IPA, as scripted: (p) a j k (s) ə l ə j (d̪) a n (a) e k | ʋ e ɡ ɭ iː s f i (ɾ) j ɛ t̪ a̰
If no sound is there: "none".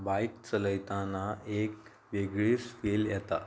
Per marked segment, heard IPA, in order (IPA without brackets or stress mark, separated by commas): b, t͡s, t̪, a, l